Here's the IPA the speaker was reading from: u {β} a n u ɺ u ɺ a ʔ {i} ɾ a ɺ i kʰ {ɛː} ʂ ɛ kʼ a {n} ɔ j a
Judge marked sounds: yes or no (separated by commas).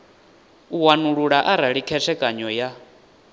no, no, no, no